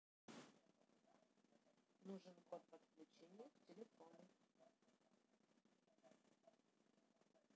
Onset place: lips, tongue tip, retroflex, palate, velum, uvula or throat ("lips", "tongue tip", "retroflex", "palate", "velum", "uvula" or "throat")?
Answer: tongue tip